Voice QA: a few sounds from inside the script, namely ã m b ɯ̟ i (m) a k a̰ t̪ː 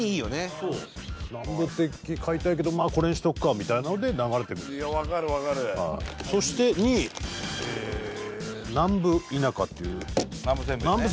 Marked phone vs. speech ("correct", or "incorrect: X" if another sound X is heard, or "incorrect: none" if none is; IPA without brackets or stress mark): incorrect: n